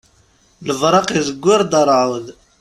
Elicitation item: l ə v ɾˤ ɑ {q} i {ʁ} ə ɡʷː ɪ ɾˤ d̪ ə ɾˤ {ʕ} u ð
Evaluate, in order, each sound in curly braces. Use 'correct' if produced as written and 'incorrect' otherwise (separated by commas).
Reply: correct, incorrect, correct